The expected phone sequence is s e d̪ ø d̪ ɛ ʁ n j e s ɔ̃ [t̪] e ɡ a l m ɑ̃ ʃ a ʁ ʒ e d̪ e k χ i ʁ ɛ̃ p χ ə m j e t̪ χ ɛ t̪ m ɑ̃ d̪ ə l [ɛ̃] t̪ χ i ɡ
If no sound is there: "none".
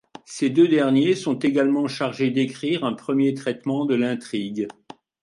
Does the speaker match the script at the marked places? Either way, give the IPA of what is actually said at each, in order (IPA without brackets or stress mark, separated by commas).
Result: t̪, ɛ̃